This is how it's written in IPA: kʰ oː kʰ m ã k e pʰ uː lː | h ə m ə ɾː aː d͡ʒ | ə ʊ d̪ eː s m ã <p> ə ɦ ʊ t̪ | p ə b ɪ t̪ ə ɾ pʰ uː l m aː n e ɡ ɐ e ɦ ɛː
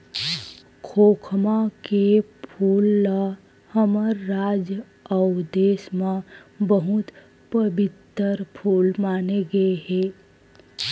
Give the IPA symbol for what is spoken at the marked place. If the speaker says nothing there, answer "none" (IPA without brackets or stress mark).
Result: b